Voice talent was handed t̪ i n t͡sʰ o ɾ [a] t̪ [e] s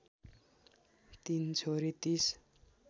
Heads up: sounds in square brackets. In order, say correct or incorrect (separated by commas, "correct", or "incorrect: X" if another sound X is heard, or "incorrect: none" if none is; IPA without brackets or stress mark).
incorrect: i, incorrect: i